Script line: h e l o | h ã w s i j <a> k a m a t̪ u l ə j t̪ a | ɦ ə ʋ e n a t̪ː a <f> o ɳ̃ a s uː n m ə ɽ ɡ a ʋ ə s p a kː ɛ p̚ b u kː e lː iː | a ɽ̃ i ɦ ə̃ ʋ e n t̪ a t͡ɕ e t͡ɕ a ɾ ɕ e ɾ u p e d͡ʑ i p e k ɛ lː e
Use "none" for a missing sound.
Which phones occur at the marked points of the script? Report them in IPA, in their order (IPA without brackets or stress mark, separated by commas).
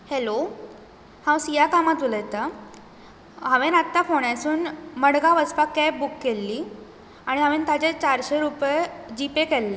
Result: a, f